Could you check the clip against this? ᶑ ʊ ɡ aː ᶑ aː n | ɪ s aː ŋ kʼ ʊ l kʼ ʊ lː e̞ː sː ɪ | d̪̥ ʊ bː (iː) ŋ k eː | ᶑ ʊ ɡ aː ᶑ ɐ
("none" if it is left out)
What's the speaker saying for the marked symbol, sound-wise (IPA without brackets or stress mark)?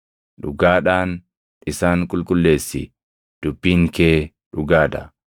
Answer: iː